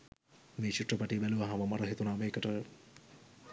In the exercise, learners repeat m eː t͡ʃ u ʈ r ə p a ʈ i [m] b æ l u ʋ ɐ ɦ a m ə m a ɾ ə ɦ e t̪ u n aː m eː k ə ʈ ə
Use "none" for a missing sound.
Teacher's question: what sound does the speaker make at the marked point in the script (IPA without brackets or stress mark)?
none